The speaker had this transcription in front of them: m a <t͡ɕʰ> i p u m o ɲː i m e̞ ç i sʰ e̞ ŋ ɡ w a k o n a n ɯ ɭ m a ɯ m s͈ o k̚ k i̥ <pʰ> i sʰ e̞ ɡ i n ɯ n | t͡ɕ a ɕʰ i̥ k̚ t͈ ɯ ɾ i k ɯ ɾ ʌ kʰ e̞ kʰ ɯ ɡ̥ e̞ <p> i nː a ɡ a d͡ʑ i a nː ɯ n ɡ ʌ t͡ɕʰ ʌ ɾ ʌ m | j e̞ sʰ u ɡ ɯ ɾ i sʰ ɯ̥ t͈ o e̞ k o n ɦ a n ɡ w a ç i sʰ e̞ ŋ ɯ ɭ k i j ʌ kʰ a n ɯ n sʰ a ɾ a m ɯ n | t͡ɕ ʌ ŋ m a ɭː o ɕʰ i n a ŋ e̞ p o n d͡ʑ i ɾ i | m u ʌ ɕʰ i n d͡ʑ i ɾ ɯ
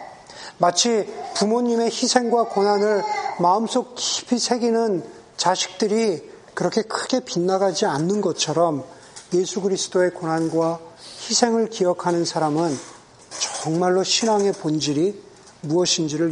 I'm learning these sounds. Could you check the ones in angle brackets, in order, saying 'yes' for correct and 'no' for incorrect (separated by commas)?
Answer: yes, yes, yes